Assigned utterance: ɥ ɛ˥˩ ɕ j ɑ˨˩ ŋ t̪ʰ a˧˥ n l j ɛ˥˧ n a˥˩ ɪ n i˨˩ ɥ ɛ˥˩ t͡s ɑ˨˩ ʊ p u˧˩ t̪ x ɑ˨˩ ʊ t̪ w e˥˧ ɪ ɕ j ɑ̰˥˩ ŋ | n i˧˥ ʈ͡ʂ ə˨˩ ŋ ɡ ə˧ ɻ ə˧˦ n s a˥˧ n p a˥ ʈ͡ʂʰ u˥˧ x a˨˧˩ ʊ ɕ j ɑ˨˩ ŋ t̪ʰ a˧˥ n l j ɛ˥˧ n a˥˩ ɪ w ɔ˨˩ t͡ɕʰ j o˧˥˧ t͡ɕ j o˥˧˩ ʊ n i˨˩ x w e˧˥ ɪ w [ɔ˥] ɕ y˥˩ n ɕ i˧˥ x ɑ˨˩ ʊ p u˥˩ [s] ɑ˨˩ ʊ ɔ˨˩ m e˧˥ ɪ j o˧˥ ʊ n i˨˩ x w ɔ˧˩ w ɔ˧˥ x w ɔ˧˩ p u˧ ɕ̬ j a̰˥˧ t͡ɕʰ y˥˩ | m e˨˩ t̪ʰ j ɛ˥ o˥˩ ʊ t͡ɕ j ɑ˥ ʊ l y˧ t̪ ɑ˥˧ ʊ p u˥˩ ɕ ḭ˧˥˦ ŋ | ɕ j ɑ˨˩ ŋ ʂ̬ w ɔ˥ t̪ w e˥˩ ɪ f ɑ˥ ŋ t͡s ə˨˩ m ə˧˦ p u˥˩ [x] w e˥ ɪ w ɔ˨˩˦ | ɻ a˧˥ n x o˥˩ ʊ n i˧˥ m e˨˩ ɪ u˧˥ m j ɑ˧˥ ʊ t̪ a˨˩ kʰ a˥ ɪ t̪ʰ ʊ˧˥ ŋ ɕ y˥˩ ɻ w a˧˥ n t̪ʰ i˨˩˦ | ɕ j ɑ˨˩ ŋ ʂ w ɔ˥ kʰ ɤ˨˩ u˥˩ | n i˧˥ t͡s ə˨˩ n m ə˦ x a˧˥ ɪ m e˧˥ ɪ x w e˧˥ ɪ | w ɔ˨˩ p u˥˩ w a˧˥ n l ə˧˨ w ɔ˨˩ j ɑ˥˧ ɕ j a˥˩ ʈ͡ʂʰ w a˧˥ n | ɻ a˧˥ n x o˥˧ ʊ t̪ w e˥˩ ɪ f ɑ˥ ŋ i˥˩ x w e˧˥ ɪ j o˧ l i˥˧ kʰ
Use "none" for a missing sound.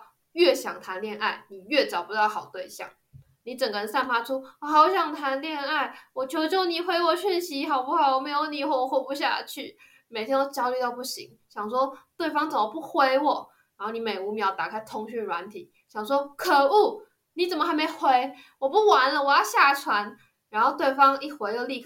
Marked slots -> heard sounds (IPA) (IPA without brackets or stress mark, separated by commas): ɔ˨˩, x, x